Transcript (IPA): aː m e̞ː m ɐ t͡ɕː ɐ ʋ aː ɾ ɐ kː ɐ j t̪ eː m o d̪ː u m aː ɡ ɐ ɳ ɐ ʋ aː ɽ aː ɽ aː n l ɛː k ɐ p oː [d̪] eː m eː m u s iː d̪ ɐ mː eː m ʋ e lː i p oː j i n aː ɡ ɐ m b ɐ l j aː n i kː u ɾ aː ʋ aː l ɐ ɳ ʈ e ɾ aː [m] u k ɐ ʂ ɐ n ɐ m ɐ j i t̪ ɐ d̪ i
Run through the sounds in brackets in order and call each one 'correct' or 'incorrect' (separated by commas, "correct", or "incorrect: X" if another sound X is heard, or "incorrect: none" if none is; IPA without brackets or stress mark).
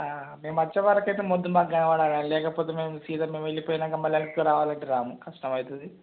incorrect: t̪, correct